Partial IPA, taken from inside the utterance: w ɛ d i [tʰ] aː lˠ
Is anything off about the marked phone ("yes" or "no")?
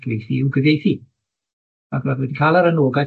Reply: yes